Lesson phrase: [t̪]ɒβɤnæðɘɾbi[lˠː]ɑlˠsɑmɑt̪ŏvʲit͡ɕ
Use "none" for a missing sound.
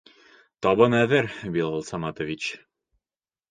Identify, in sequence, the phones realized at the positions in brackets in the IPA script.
t̪, lˠ

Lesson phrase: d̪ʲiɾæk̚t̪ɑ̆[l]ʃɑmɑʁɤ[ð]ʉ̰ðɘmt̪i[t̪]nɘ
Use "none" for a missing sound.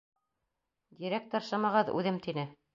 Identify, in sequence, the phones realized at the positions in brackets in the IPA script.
ɾ, ð, none

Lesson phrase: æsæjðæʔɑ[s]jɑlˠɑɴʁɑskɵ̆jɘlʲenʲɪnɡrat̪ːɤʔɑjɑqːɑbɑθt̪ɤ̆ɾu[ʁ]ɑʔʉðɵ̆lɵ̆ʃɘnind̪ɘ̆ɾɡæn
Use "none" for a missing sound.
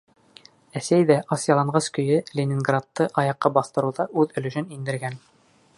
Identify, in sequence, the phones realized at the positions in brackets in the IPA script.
s, ð

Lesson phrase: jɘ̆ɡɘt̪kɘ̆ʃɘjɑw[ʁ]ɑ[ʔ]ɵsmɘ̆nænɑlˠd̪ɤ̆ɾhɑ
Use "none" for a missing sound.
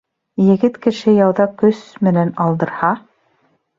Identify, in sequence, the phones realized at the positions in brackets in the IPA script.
ð, k

